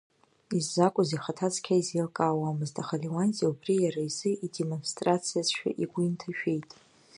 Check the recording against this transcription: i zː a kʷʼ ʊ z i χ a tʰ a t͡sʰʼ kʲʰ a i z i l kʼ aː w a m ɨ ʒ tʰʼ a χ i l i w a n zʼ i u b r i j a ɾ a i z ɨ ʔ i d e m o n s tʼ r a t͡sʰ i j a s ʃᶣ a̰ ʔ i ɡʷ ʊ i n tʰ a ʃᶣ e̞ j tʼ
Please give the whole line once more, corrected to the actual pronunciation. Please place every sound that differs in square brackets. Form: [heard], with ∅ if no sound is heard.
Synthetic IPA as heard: i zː a kʷʼ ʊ z i χ a tʰ a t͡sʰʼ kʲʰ a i z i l kʼ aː w a m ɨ [z] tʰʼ a χ [a] l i w a n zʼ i u b r i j a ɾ a i z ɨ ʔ i d e m o n s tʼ r a t͡sʰ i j a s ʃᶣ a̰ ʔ i ɡʷ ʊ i n tʰ a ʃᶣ e̞ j tʼ